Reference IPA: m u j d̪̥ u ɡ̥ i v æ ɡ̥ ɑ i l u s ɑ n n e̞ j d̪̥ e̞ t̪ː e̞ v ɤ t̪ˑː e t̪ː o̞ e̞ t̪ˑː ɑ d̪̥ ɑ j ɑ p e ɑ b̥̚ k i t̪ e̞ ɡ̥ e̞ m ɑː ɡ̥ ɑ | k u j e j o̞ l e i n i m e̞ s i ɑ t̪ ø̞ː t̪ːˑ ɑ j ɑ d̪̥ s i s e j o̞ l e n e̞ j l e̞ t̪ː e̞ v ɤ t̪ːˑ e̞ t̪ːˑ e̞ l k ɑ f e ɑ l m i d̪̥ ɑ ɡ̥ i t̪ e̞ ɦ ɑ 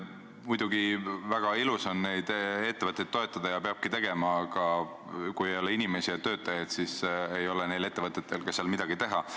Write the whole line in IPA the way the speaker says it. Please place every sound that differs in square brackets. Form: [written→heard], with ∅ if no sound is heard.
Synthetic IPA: m u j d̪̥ u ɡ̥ i v æ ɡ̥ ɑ i l u s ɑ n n e̞ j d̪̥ e̞ t̪ː e̞ v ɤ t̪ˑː e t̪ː o̞ e̞ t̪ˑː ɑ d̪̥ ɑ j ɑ p e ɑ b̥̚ k i t̪ e̞ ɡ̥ e̞ m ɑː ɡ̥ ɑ | k u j e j o̞ l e i n i m e̞ s i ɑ t̪ ø̞ː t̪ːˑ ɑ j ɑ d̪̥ s i s e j o̞ l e n e̞ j l e̞ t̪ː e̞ v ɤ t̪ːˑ e̞ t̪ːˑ e̞ l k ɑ [f→s] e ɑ l m i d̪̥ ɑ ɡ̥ i t̪ e̞ ɦ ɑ

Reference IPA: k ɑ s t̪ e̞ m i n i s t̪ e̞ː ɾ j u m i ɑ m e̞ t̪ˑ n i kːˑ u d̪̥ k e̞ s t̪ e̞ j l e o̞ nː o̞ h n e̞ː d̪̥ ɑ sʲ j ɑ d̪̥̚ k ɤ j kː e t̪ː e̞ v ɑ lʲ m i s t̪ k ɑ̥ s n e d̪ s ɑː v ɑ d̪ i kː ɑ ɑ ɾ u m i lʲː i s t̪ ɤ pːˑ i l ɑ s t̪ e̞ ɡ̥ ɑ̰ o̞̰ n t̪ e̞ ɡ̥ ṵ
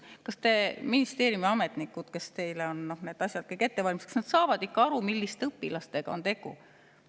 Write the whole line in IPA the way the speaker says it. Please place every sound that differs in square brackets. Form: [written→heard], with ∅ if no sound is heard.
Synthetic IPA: k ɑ s t̪ e̞ m i n i s t̪ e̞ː ɾ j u m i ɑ m e̞ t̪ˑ n i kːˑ u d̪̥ k e̞ s t̪ e̞ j l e o̞ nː o̞ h n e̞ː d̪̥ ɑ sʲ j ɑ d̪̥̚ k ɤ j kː e t̪ː e̞ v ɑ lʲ m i s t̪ k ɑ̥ s n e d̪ s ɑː v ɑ d̪ i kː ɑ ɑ ɾ u m i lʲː i s t̪ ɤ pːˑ i l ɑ s t̪ e̞ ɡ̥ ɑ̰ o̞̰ n t̪ e̞ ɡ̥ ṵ

